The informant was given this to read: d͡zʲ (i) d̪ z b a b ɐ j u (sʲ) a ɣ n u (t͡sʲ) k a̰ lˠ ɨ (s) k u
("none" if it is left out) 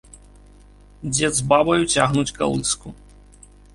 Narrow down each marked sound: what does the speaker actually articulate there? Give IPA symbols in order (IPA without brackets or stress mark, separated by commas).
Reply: ɛ, t͡sʲ, t͡sʲ, s